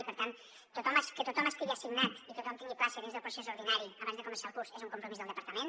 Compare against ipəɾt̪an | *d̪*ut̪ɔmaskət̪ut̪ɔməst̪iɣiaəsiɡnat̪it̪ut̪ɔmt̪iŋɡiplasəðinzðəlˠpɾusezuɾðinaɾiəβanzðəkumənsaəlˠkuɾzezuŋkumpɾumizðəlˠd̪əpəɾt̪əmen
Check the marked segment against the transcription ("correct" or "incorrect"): incorrect